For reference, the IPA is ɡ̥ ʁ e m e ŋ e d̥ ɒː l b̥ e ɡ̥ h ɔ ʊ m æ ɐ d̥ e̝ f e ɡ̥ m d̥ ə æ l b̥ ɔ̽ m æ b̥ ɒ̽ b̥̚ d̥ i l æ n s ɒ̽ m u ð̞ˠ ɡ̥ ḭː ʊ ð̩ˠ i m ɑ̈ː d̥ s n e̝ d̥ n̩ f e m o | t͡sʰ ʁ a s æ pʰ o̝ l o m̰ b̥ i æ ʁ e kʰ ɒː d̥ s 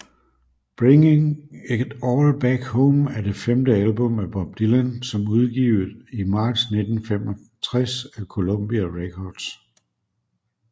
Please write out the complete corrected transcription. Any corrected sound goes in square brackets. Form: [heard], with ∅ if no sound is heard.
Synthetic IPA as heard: [b̥] ʁ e [ŋ] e ŋ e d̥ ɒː l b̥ [æ] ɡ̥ h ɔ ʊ m æ ɐ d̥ e̝ f e [∅] m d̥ ə æ l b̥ ɔ̽ m æ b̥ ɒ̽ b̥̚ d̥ i l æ n s ɒ̽ m u ð̞ˠ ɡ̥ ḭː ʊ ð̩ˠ i m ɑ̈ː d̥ s n e̝ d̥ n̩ f e m [ɒ] | t͡sʰ ʁ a s æ [kʰ] o̝ l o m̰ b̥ i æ ʁ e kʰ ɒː d̥ s